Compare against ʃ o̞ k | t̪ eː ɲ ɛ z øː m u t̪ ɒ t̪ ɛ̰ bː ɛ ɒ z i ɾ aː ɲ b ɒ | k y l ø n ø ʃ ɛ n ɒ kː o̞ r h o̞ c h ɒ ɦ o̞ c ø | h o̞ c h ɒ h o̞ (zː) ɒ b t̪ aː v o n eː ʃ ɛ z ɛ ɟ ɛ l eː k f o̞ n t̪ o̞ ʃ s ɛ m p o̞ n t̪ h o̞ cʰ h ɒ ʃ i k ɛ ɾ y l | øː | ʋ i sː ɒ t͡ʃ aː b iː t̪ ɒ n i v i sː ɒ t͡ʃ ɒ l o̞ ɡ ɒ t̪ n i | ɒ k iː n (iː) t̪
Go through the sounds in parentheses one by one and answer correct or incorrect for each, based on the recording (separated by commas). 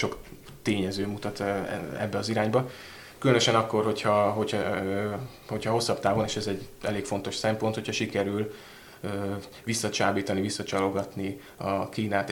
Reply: incorrect, incorrect